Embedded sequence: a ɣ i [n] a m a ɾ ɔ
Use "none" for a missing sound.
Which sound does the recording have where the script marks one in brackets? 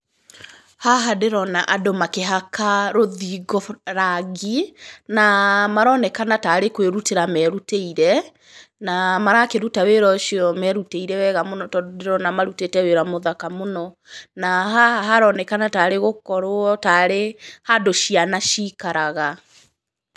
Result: n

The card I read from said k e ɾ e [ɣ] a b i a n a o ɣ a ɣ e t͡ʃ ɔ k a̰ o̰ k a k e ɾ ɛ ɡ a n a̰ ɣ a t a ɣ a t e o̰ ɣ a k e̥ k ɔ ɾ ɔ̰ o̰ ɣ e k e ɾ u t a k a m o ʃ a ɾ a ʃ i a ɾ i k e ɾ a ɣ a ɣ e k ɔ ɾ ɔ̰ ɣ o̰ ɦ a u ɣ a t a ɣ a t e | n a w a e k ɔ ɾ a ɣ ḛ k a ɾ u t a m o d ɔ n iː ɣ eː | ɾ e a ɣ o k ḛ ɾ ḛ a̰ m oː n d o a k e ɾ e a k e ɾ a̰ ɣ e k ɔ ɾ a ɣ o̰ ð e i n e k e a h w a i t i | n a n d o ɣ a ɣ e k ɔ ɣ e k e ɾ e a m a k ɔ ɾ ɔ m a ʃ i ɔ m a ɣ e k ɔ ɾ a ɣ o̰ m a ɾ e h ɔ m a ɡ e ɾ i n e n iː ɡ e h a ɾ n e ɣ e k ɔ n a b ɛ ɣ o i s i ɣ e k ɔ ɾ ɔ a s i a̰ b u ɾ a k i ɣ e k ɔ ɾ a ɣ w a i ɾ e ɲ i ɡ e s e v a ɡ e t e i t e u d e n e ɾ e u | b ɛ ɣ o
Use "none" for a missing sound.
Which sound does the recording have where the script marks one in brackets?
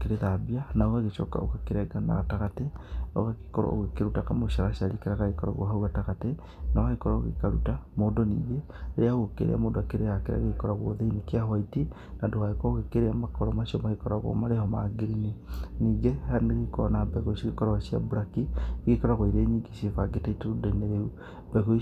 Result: ð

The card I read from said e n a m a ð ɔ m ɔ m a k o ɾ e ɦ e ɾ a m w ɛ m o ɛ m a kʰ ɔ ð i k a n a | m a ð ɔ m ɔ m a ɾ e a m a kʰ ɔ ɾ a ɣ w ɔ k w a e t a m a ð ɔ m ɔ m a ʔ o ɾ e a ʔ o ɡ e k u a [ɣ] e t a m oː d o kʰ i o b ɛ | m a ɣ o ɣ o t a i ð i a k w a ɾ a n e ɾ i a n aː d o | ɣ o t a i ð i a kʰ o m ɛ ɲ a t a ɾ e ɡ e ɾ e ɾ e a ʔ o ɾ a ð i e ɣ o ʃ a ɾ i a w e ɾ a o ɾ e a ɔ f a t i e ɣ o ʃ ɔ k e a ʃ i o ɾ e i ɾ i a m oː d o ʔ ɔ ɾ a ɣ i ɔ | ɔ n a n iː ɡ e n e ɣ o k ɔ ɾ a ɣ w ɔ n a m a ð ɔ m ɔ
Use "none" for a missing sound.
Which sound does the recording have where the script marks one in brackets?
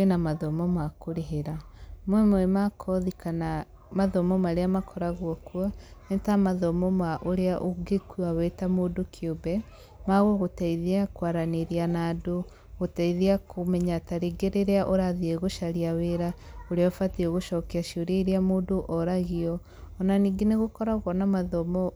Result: w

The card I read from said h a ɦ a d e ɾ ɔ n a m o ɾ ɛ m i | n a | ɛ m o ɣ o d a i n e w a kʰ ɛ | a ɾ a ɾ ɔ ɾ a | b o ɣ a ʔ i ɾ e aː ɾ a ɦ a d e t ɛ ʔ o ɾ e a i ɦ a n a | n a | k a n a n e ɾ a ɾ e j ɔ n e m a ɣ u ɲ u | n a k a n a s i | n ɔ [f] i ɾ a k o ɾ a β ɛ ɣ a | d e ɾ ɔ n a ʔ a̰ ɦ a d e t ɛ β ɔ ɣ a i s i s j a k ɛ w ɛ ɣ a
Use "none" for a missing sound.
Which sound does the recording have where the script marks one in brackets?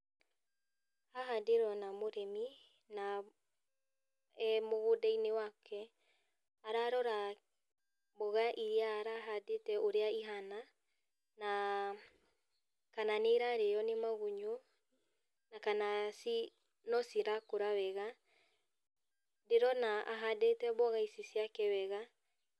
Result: s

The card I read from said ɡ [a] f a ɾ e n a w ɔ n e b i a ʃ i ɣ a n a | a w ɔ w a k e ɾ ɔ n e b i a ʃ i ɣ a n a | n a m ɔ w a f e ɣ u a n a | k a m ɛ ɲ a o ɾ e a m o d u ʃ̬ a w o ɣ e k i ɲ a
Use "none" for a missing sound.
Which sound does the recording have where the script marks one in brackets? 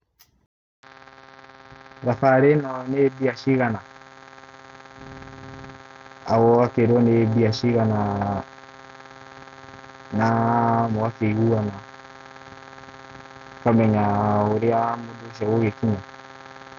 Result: a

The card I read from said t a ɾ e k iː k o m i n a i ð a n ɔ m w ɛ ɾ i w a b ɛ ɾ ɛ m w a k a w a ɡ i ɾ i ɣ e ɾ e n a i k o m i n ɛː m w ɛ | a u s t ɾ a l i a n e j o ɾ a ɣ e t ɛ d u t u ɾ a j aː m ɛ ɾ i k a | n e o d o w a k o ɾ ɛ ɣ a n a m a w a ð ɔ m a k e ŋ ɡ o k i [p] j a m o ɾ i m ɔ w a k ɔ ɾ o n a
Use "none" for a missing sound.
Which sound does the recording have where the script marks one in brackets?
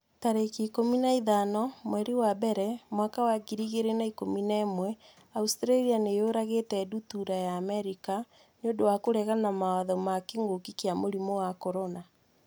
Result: k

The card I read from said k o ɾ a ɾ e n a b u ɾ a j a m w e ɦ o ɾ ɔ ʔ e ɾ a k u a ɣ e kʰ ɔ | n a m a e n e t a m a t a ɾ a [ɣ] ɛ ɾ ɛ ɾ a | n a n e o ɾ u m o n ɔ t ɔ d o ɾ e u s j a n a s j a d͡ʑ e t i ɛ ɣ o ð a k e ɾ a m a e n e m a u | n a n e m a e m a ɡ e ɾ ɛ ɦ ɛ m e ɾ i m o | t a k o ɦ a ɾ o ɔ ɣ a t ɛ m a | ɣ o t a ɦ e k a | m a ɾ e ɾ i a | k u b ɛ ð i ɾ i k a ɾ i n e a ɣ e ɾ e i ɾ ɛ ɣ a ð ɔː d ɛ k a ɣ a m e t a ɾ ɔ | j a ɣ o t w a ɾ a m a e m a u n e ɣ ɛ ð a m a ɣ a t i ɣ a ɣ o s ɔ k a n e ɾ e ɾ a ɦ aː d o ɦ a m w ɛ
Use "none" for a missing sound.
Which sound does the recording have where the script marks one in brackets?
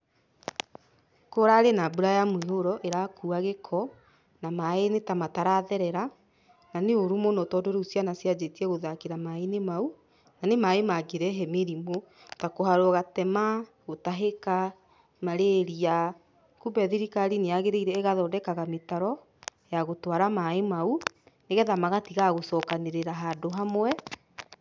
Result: ð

